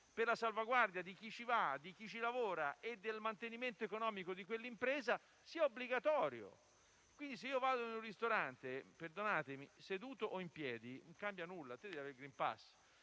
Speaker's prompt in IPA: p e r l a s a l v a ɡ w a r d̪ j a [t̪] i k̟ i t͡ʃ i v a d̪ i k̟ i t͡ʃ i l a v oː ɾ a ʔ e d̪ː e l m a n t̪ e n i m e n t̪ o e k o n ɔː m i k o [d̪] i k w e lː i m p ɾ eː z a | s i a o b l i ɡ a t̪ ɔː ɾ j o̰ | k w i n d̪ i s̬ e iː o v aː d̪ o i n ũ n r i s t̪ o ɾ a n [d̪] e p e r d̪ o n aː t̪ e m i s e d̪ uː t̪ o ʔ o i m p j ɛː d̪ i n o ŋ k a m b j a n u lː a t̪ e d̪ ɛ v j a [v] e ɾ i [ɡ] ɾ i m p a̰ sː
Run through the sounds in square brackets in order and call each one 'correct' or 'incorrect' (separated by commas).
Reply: incorrect, correct, incorrect, correct, correct